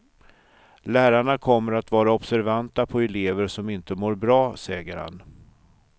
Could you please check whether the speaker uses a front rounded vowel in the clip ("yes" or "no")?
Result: no